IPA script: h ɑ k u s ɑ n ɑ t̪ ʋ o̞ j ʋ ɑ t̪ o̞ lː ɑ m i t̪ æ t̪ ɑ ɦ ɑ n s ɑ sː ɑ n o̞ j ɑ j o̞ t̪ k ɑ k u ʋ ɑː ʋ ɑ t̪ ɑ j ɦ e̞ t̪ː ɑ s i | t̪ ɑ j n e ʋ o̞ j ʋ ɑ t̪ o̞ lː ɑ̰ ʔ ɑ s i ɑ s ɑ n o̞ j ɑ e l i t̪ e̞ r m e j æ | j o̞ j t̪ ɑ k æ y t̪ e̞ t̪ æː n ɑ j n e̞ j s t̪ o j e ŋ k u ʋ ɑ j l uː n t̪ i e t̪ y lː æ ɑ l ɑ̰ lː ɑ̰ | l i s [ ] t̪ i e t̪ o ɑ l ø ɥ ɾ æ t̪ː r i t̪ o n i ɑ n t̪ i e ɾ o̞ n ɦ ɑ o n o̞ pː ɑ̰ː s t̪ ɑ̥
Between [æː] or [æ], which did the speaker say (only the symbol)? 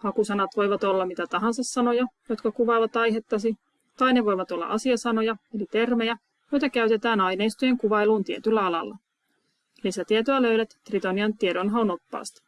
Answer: æ